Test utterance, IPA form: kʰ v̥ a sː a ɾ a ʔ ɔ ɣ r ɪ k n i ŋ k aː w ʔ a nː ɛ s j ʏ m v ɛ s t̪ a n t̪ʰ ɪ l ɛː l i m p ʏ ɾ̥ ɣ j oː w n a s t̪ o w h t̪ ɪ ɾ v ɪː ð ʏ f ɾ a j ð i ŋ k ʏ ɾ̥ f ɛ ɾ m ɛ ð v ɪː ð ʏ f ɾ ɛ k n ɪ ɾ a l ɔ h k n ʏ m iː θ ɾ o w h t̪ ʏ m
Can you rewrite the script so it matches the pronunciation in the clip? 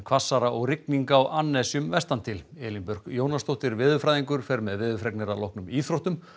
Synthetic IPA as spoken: kʰ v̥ a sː a ɾ a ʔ ɔ ɣ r ɪ k n i ŋ k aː w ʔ a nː ɛ s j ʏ m v ɛ s t̪ a n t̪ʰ ɪ l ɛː l i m p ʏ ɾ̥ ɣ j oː w n a s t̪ o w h t̪ ɪ ɾ v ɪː ð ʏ f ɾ a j ð i ŋ k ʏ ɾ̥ f ɛ ɾ m ɛ ð v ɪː ð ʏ f ɾ ɛ k n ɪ ɾ a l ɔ h k n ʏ m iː θ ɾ o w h t̪ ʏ m